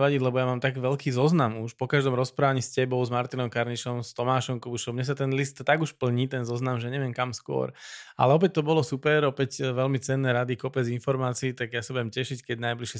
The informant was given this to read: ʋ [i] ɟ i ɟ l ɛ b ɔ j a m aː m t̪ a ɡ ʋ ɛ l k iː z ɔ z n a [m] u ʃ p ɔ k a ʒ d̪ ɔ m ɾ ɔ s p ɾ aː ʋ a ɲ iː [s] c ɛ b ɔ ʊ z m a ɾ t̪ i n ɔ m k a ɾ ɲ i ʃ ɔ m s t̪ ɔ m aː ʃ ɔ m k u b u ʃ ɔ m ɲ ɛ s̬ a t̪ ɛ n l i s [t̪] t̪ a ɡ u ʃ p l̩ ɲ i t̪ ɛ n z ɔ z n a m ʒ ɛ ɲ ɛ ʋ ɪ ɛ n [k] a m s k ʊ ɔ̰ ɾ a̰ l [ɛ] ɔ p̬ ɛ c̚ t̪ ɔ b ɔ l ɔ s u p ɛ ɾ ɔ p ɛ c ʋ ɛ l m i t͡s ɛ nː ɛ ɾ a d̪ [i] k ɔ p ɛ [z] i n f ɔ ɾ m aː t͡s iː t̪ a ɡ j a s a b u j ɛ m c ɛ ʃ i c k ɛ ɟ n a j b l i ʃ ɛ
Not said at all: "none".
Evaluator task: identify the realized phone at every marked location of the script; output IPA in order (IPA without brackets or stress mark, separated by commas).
a, m, s, t̪, k, ɛ, i, d͡z